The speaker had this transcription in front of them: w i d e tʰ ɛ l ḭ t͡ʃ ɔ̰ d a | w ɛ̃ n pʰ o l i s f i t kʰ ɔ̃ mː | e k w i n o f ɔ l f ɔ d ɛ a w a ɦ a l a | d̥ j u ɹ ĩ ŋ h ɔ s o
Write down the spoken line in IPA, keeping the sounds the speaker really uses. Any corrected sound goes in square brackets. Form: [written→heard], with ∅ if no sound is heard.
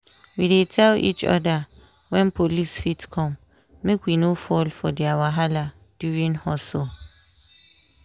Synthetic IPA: w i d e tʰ ɛ l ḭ t͡ʃ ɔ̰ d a | w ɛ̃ n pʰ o l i s f i t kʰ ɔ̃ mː | e k w i n o f ɔ l f ɔ d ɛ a w a ɦ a l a | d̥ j u ɹ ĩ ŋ h ɔ s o